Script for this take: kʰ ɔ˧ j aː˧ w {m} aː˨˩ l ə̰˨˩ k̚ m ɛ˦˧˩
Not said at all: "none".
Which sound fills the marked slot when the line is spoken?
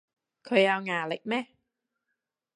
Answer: ŋ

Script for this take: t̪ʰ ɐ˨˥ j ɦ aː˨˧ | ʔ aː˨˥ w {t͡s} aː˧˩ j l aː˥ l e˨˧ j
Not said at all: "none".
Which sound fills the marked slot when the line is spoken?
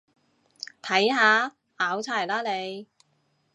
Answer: t͡sʰ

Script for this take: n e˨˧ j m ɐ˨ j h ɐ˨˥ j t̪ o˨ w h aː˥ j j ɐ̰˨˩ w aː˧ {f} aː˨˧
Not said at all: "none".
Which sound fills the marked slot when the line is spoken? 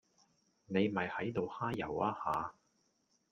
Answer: h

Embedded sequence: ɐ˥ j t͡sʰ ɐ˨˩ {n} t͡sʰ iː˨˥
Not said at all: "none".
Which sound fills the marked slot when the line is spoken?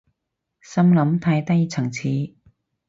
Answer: ŋ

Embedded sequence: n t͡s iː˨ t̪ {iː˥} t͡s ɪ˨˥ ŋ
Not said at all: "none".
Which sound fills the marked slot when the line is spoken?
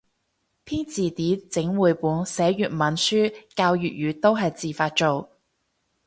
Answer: iː˨˥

